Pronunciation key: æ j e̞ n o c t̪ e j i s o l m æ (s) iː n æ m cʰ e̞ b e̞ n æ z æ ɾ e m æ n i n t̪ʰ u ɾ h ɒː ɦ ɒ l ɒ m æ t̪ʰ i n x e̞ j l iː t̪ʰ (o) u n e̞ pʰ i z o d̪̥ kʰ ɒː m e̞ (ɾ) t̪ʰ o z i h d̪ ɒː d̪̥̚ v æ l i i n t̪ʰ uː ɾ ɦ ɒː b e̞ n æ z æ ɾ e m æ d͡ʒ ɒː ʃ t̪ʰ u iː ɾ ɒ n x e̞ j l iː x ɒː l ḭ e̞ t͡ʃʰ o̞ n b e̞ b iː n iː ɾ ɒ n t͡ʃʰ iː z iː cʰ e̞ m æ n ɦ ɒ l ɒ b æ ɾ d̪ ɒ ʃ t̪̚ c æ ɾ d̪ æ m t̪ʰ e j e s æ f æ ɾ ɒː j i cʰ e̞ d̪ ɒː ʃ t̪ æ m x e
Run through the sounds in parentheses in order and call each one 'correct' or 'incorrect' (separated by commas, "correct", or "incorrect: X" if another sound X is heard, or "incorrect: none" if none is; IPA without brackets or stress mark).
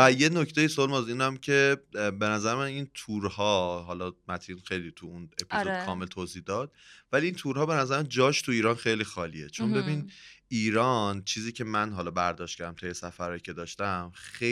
incorrect: z, incorrect: u, incorrect: l